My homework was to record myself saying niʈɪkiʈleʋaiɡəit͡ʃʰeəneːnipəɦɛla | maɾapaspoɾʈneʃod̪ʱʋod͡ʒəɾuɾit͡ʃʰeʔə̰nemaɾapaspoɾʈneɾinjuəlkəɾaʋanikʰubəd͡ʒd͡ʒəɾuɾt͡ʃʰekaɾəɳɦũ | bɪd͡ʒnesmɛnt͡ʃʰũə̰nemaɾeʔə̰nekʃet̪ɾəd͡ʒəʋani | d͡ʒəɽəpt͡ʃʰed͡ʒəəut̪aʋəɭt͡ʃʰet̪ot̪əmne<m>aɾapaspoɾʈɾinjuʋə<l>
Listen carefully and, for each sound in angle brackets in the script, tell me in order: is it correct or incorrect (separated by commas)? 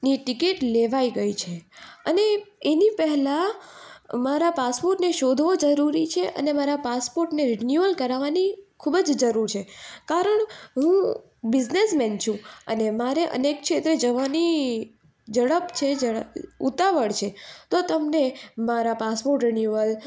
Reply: correct, correct